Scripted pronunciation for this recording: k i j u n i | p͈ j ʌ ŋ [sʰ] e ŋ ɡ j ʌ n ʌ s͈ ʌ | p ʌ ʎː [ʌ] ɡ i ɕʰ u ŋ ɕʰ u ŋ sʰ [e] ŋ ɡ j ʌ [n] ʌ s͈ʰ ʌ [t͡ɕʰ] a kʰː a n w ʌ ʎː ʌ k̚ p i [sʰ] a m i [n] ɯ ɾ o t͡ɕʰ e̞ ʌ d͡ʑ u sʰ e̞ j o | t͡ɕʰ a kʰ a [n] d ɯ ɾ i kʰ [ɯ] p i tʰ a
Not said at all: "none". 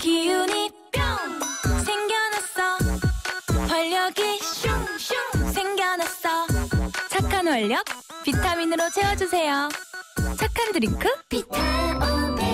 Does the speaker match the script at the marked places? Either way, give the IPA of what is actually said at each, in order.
sʰ, ʌ, e, n, t͡ɕʰ, tʰ, n, n, ɯ

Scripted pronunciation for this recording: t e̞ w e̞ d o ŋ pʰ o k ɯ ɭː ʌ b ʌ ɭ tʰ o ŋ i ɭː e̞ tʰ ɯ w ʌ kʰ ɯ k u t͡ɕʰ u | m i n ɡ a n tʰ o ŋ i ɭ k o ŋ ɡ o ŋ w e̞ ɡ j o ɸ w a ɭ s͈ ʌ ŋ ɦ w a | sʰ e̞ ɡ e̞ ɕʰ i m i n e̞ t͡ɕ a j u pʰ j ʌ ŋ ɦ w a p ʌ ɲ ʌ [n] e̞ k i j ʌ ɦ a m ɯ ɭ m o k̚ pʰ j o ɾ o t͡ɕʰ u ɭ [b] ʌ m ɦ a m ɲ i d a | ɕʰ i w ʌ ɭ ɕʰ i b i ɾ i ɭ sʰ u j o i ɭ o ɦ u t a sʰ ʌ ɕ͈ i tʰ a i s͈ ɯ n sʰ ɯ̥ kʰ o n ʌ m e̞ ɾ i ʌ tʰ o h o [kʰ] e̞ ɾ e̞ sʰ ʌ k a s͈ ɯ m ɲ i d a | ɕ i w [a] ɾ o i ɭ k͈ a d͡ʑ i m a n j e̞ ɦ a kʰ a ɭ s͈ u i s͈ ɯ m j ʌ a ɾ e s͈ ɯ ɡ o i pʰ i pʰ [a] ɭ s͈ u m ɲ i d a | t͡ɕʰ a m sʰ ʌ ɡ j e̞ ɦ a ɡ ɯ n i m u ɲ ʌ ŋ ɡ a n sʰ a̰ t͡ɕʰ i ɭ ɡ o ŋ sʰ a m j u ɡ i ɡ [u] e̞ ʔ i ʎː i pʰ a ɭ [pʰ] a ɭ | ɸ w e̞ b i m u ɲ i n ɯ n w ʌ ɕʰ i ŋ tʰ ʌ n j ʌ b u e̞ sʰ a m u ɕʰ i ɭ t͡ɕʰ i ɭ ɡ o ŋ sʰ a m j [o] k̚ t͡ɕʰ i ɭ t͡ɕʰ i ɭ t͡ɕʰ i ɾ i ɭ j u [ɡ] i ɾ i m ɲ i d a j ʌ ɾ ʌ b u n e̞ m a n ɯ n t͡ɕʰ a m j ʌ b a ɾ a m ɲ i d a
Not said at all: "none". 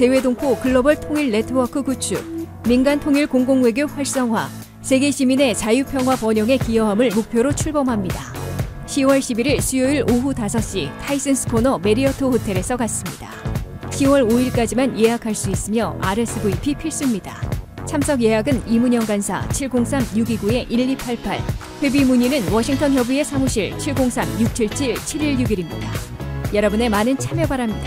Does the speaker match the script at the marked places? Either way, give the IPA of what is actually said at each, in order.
ŋ, b, tʰ, ʌ, i, u, pʰ, u, ɡ

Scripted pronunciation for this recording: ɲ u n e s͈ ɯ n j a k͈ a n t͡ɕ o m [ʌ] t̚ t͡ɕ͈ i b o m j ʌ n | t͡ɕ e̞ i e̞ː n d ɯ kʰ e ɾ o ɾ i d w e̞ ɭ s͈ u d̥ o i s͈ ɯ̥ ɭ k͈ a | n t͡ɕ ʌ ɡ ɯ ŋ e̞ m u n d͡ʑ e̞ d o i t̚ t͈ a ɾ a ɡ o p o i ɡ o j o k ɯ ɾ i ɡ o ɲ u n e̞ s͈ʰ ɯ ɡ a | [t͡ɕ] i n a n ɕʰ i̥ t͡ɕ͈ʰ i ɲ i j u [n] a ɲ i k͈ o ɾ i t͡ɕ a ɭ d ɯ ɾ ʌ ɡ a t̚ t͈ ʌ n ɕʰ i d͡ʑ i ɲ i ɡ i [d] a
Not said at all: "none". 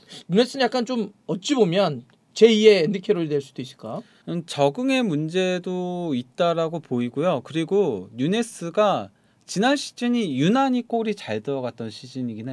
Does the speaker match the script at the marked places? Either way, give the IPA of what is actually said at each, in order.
ʌ, t͡ɕ, n, n

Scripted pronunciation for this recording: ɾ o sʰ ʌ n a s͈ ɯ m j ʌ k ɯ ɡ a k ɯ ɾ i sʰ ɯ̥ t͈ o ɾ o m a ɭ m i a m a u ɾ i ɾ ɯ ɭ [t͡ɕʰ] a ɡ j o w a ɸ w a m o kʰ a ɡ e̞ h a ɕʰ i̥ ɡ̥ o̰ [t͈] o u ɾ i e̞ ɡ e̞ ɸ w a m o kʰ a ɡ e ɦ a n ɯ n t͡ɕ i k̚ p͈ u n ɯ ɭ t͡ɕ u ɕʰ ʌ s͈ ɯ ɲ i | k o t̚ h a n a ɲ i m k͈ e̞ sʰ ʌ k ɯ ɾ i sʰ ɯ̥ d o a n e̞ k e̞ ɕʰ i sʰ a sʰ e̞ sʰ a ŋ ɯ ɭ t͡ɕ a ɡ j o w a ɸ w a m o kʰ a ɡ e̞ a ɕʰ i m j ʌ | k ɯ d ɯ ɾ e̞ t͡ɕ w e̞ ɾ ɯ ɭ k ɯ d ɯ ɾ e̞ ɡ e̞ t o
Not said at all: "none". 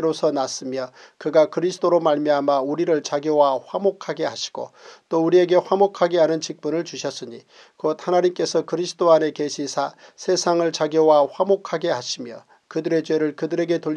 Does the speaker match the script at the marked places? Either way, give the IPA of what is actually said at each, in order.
t͡ɕ, t͈

